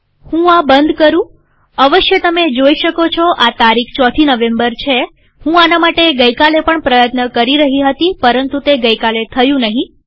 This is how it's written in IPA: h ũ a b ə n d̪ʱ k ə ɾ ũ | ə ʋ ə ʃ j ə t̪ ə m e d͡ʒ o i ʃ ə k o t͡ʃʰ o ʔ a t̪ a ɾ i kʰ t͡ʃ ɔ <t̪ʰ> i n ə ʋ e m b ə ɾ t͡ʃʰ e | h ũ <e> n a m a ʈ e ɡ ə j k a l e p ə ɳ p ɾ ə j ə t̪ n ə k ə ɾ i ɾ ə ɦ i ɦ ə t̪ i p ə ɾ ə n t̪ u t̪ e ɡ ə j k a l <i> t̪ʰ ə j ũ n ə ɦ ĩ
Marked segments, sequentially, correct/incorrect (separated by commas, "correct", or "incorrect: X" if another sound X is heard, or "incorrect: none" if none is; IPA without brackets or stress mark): correct, incorrect: a, incorrect: e